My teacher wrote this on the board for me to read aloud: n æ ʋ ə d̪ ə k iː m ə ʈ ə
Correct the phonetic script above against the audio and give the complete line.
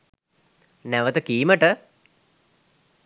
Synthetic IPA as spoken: n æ ʋ ə t̪ ə k iː m ə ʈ ə